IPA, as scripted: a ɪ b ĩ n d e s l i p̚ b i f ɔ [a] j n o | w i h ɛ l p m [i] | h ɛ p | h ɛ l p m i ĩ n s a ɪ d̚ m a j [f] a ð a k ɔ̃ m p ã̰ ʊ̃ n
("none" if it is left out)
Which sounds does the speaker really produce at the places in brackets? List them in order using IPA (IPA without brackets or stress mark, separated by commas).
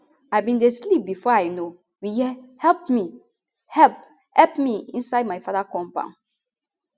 a, i, f